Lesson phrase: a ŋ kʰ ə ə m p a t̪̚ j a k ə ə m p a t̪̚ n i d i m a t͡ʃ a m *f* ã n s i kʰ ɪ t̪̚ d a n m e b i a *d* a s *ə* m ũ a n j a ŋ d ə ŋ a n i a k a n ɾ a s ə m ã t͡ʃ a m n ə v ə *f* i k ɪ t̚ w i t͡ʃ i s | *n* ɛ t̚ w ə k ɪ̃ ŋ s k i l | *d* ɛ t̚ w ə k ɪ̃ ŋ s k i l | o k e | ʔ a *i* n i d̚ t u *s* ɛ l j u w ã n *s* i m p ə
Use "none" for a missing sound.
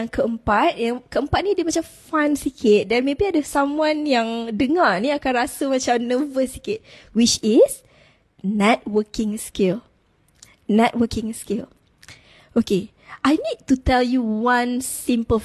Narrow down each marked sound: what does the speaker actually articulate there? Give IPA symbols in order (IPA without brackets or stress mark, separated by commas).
f, d, a, s, n, n, j, t, s